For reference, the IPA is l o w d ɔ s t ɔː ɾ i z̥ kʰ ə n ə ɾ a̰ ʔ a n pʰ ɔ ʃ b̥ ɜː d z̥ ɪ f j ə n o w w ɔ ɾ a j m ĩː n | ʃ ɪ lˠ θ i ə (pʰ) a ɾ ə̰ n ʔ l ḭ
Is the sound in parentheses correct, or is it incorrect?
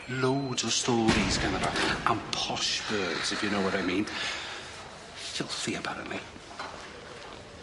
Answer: correct